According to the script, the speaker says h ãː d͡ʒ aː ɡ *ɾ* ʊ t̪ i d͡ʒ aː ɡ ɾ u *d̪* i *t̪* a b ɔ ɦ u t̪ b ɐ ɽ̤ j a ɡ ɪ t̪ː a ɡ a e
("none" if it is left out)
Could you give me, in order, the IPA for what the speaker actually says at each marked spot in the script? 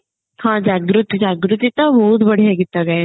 ɾ, t̪, t̪

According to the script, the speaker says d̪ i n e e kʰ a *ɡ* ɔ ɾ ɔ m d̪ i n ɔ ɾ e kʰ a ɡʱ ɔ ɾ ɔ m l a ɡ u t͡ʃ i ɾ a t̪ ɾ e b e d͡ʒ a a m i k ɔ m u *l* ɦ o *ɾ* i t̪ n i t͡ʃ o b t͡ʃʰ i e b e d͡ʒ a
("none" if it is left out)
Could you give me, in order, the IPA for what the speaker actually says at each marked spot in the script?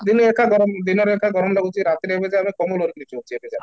ɡ, l, ɾ

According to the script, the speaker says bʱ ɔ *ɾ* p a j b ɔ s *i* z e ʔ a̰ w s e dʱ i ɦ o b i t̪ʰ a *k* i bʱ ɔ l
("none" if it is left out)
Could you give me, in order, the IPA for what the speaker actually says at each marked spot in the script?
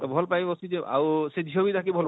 l, i, k

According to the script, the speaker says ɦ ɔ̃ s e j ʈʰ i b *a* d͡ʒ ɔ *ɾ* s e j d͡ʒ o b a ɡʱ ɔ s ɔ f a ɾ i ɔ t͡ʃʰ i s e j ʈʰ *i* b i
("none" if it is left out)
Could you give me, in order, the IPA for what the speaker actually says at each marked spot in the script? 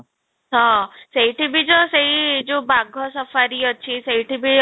i, none, i

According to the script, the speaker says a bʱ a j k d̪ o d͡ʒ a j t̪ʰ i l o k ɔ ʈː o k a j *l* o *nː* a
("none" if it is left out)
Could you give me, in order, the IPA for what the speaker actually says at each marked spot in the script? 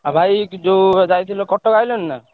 l, nː

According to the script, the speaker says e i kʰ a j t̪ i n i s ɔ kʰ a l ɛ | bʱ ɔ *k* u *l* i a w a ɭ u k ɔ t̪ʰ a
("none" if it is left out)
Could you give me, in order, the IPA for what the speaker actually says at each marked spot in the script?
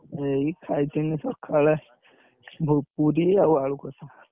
p, ɾ

